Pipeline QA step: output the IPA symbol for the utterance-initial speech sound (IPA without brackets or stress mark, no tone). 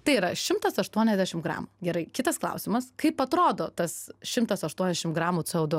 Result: t̪